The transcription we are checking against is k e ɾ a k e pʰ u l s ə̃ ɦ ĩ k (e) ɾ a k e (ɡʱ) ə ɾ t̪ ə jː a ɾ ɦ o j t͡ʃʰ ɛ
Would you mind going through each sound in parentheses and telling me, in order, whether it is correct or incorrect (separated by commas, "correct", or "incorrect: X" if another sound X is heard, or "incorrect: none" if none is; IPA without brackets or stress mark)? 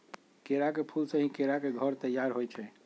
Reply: correct, correct